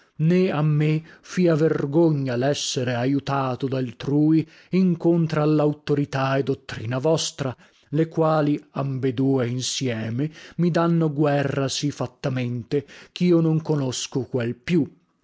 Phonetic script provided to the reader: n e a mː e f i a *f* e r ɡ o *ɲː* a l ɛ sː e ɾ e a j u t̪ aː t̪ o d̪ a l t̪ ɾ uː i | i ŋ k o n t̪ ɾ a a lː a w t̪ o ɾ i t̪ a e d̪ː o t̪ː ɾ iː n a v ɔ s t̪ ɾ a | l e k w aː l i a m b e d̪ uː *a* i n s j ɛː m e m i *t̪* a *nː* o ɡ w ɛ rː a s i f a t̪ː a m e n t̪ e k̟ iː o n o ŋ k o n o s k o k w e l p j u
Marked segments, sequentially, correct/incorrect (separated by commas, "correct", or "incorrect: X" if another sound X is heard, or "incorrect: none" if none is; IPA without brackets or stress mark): incorrect: v, correct, incorrect: e, incorrect: d̪, correct